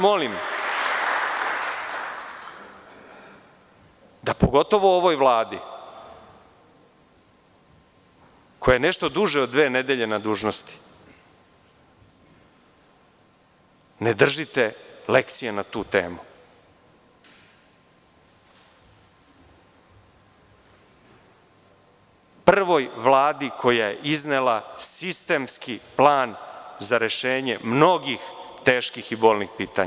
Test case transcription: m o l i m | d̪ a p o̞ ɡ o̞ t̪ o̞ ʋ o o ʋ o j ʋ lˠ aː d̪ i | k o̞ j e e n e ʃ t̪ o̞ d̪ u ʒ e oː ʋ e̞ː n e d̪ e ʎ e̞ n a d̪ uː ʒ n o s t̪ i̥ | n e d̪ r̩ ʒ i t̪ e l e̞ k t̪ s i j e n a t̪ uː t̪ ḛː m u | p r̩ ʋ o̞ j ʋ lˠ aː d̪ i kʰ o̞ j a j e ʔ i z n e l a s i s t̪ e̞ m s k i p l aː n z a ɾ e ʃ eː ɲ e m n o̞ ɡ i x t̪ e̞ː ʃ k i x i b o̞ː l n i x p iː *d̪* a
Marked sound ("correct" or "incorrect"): incorrect